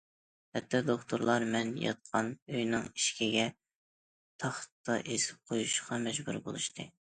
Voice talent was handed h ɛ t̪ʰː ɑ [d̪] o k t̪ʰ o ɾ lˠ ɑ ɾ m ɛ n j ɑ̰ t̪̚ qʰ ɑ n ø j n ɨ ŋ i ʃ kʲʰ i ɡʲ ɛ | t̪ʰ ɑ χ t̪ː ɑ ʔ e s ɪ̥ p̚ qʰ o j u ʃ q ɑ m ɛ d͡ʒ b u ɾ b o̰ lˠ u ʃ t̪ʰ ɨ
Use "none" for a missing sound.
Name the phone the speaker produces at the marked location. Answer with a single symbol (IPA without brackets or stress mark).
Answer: d̪